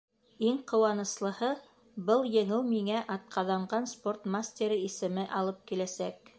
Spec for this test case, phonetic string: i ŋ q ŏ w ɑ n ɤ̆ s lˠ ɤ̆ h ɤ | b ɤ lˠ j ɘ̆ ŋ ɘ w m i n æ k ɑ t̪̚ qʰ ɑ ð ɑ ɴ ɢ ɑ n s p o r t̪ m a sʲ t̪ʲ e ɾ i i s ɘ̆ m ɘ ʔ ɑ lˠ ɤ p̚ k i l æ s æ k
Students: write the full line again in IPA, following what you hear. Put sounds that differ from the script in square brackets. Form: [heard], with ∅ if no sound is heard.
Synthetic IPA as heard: i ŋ q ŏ w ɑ n ɤ̆ s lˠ ɤ̆ h ɤ | b ɤ lˠ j ɘ̆ ŋ ɘ w m i [ŋ] æ [ʔ] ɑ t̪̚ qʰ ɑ ð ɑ ɴ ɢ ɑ n s p o r t̪ m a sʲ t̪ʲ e ɾ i i s ɘ̆ m ɘ ʔ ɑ lˠ ɤ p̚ k i l æ s æ k